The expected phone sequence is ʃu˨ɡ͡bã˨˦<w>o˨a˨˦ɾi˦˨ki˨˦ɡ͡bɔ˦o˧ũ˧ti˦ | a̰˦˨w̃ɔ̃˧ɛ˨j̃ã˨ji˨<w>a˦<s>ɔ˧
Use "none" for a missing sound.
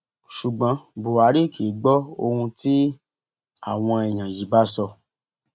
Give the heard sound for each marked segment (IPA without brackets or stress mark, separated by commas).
b, b, s